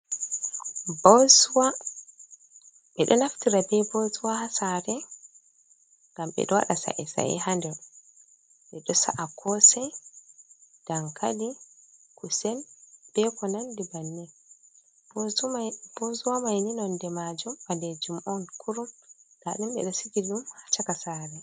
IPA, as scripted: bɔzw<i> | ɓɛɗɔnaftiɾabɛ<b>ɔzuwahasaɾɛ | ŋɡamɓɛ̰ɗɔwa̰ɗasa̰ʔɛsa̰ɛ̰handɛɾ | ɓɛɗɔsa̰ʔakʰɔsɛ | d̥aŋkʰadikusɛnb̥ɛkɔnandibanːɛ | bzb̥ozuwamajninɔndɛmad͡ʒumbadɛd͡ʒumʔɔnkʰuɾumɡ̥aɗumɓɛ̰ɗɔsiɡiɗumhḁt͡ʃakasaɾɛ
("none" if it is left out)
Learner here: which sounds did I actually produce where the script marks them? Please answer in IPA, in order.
a, b

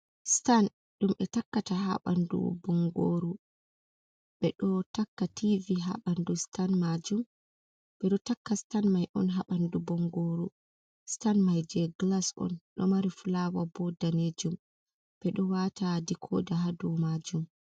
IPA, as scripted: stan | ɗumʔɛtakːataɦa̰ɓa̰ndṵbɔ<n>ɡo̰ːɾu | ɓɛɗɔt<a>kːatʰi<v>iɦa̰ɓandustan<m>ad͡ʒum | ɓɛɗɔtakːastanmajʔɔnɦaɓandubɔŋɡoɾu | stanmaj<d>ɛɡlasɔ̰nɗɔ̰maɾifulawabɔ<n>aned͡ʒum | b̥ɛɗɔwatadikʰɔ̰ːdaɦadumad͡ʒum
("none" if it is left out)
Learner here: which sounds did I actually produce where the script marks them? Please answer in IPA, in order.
ŋ, a, v, m, d͡ʒ, d

